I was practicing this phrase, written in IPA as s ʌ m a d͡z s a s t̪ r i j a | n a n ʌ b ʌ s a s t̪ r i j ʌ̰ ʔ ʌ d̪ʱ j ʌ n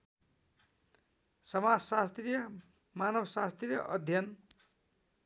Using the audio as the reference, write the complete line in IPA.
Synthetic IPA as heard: s ʌ m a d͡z s a s t̪ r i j ʌ | m a n ʌ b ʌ s a s t̪ r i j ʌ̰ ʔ ʌ d̪ʱ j ʌ n